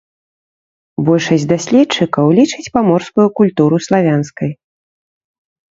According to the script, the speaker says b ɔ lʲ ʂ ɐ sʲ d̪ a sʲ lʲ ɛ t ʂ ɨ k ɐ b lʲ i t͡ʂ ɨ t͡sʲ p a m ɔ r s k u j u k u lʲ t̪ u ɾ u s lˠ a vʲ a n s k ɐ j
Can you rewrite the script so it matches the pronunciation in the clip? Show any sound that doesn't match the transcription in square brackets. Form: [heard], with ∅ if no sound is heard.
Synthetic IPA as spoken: b ɔ lʲ ʂ ɐ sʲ d̪ a sʲ lʲ ɛ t [t͡ʂ] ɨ k ɐ [w] lʲ i t͡ʂ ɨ t͡sʲ p a m ɔ r s k u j u k u lʲ t̪ u ɾ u s lˠ a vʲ a n s k ɐ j